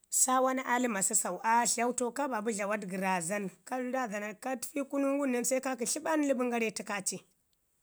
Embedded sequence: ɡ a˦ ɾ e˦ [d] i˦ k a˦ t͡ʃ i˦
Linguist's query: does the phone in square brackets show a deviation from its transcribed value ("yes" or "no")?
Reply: yes